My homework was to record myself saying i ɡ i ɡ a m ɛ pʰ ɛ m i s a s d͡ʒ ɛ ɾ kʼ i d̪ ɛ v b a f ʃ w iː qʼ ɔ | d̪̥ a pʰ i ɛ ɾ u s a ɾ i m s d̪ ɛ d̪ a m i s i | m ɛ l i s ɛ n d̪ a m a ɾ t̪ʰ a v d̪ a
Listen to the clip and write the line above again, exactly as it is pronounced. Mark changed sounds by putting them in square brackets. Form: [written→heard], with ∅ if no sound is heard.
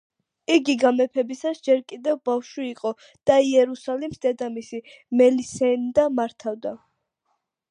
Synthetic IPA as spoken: i ɡ i ɡ a m ɛ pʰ ɛ [m→b] i s a s d͡ʒ ɛ ɾ kʼ i d̪ ɛ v b a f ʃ w iː qʼ ɔ | d̪̥ a [pʰ→∅] i ɛ ɾ u s a [ɾ→l] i m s d̪ ɛ d̪ a m i s i | m ɛ l i s ɛ n d̪ a m a ɾ t̪ʰ a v d̪ a